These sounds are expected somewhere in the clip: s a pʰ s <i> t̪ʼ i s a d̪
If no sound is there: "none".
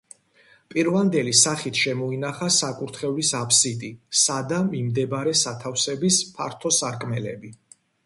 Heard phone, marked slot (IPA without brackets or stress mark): i